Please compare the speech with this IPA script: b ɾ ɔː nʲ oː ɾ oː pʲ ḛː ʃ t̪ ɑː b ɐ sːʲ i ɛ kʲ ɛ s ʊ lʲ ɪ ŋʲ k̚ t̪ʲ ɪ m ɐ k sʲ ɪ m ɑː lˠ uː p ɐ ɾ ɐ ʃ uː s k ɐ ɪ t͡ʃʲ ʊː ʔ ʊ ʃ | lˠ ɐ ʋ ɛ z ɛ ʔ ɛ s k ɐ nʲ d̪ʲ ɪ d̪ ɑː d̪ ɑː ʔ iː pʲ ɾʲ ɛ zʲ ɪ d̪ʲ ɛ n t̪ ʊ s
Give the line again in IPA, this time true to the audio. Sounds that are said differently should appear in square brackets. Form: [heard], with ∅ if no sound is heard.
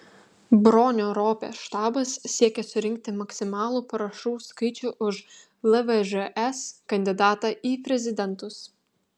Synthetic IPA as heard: b ɾ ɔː nʲ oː ɾ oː pʲ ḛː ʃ t̪ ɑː b ɐ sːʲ i ɛ kʲ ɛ s ʊ [ɾʲ] ɪ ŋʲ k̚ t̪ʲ ɪ m ɐ k sʲ ɪ m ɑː lˠ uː p ɐ ɾ ɐ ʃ uː s k ɐ ɪ t͡ʃʲ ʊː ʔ ʊ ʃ | lˠ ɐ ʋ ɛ [ʒ] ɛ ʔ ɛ s k ɐ nʲ d̪ʲ ɪ d̪ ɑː [t̪] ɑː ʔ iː pʲ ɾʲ ɛ zʲ ɪ d̪ʲ ɛ n t̪ ʊ s